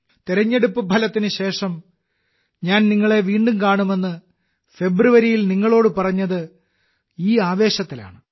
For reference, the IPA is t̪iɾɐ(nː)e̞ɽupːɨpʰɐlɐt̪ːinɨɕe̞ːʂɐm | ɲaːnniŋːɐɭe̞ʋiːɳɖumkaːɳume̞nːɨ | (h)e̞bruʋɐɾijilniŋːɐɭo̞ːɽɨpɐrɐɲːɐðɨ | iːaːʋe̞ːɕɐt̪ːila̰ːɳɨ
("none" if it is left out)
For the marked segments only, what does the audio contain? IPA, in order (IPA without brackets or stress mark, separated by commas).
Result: ɲː, f